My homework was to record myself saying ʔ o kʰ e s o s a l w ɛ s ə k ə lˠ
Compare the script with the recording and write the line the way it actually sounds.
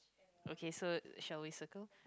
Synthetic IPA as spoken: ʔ o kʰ e s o ʃ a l w i s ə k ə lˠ